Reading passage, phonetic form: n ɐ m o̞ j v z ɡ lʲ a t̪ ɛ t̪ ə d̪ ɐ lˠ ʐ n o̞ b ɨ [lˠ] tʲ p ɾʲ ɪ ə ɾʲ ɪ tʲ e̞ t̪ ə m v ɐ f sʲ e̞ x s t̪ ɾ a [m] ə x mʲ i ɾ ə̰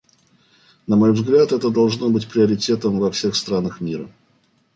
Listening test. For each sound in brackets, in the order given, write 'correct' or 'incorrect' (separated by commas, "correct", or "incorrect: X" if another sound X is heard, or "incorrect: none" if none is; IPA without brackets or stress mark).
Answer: incorrect: none, incorrect: n